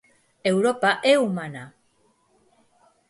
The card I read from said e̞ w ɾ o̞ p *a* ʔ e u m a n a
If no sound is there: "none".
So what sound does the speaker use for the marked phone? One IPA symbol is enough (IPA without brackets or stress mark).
a